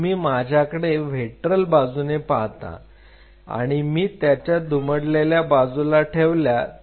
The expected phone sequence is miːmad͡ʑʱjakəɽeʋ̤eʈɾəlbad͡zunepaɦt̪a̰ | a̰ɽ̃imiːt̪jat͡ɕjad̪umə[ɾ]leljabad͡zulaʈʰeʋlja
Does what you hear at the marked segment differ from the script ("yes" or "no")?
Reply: yes